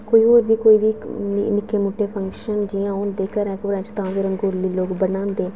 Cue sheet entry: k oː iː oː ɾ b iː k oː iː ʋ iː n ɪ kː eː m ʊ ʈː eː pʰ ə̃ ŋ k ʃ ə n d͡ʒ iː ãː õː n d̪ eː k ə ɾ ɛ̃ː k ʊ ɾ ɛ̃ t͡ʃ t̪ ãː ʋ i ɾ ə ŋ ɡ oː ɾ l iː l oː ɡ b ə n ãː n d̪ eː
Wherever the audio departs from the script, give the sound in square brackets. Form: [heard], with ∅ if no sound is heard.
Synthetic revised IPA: k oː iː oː ɾ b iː k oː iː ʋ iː n ɪ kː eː m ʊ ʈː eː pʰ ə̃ ŋ k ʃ ə n d͡ʒ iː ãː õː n d̪ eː k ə ɾ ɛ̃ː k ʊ ɾ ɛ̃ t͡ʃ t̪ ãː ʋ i ɾ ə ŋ ɡ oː ɾ l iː l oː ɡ b ə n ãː n d̪ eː